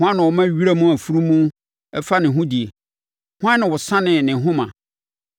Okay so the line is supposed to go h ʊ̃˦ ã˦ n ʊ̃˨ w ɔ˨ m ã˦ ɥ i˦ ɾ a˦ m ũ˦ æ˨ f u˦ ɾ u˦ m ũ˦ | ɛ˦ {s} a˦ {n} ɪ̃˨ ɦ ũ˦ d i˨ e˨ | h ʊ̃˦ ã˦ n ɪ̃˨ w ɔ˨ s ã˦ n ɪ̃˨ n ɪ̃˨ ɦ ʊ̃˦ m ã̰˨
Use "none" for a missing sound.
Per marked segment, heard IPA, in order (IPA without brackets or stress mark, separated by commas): f, n